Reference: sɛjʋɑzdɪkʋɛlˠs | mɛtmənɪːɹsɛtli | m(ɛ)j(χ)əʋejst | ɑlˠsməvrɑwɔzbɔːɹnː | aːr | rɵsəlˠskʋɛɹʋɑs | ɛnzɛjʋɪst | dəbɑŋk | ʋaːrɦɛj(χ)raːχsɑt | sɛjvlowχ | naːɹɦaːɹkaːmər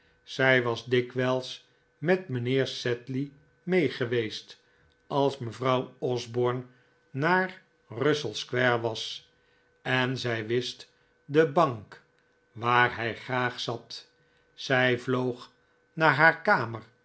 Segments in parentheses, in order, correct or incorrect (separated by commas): incorrect, correct, correct